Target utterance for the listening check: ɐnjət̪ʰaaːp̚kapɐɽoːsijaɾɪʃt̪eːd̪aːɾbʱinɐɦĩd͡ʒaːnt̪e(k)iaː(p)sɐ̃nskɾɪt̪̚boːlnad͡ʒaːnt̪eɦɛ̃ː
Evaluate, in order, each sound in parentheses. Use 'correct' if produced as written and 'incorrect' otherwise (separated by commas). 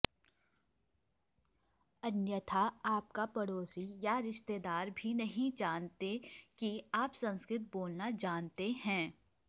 correct, correct